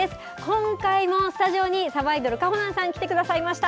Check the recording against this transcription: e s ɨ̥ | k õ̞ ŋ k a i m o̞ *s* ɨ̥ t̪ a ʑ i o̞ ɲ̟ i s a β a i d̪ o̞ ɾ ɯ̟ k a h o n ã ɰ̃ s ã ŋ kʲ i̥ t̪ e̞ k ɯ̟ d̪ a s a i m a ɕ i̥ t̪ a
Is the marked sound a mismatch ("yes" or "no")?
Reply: no